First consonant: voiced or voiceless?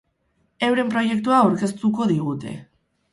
voiced